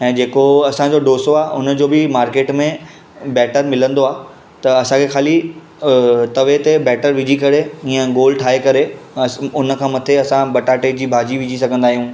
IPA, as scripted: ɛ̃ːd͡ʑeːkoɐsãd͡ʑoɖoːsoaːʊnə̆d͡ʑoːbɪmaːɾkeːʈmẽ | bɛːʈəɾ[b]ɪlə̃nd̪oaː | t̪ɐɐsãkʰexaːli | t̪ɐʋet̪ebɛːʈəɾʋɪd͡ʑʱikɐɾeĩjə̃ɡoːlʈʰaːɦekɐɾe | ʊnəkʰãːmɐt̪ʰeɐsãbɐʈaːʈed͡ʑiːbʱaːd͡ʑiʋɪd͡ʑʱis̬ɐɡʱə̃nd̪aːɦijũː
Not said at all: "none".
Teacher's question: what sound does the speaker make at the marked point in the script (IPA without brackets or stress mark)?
m